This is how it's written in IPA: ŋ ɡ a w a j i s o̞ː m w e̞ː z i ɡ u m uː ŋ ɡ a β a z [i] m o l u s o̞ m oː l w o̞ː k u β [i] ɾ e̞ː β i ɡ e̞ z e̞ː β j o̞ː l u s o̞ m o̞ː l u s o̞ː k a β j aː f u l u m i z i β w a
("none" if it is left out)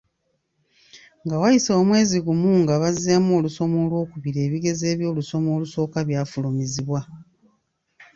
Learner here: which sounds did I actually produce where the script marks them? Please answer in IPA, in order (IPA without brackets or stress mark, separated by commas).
a, i